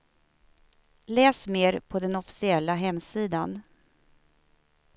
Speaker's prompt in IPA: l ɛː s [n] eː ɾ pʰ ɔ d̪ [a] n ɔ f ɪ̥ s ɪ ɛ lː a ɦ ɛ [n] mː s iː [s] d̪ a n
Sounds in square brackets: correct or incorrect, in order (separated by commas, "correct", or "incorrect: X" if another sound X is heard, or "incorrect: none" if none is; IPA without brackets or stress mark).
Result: incorrect: m, incorrect: ɛ, incorrect: none, incorrect: none